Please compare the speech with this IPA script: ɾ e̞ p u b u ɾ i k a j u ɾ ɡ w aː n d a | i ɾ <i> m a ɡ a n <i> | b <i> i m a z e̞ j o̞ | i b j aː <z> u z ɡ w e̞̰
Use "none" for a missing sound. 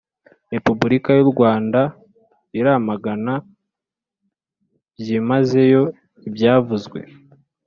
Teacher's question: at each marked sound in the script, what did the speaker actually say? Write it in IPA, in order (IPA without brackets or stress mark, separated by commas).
a, a, j, v